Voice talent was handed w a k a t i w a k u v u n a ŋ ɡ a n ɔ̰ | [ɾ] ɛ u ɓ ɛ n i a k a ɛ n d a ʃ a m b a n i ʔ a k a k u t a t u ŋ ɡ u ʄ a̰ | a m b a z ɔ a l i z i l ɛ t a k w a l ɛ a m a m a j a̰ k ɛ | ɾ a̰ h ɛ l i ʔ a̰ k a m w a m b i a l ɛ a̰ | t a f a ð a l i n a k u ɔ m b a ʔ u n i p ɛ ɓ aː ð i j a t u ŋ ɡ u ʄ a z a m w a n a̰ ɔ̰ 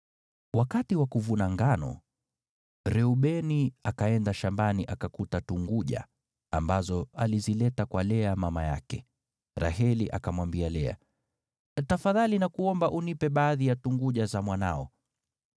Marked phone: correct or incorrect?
correct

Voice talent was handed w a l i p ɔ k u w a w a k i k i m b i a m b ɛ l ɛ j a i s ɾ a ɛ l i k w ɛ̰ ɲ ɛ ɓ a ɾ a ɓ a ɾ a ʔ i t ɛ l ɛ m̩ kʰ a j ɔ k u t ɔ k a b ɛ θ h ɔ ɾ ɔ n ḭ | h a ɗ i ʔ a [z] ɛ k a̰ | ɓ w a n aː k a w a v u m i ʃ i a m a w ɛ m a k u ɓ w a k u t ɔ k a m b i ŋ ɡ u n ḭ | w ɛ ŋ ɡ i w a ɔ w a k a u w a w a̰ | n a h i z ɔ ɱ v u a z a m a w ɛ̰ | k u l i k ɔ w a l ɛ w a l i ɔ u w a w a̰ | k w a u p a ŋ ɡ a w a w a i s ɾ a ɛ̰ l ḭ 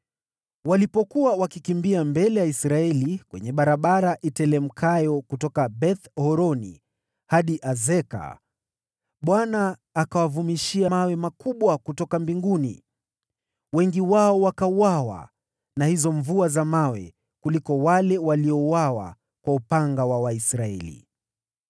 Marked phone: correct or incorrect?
correct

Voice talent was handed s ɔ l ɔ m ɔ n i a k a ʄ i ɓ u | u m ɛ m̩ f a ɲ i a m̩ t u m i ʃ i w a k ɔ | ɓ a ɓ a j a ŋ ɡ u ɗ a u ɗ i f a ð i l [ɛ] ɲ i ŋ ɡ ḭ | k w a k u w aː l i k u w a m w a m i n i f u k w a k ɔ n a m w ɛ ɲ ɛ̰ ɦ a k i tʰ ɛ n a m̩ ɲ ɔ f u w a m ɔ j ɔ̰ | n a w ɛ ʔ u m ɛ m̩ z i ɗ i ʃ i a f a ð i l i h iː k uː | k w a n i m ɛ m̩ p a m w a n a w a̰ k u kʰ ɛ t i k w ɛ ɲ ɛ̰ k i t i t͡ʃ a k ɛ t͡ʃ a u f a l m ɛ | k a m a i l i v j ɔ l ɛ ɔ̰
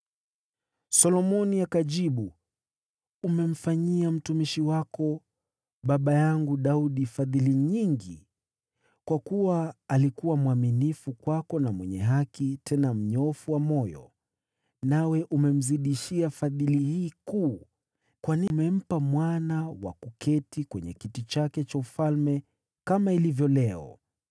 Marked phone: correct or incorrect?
incorrect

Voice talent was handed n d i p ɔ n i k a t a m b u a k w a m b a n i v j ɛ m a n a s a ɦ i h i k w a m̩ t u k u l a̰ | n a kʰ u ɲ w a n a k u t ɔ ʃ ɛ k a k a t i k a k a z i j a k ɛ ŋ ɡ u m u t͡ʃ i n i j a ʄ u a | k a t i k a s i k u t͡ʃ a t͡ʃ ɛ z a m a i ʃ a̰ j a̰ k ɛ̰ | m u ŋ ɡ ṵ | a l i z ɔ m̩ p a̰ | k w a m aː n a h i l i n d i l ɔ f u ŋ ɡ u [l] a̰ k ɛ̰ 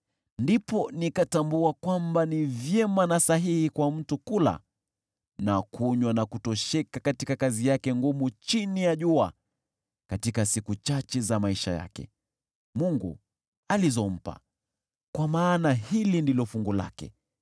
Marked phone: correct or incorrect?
correct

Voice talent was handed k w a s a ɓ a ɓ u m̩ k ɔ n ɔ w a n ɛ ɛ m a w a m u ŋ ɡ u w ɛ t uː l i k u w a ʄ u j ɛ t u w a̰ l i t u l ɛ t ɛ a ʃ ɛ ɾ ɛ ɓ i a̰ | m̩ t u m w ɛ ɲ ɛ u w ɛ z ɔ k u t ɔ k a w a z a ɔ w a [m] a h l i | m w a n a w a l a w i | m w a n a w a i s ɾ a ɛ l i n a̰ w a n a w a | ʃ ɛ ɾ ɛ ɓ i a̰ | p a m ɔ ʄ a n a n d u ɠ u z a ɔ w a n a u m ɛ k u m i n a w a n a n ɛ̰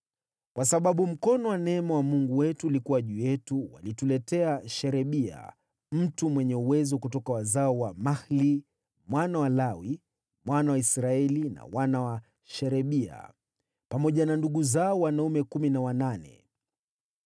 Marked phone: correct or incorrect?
correct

